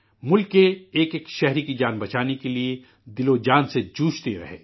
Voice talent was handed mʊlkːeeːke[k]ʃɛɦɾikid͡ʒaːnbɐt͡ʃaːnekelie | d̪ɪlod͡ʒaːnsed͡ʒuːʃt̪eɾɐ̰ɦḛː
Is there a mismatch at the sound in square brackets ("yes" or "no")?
no